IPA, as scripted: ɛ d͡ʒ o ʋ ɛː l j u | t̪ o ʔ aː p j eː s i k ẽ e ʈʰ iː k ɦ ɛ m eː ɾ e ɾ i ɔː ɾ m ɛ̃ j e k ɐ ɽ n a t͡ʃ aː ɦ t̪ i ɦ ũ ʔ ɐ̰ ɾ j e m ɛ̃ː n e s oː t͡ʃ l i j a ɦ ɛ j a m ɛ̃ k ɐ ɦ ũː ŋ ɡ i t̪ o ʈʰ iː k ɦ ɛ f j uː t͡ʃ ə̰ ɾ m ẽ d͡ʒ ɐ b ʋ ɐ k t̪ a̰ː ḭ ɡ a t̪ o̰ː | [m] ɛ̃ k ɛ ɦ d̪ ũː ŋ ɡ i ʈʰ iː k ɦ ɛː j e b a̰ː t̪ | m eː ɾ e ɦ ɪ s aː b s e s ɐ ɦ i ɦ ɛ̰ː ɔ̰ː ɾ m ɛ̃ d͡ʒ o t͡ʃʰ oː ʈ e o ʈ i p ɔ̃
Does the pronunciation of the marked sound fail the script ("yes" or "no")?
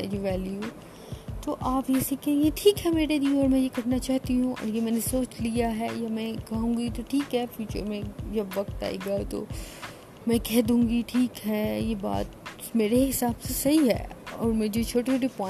no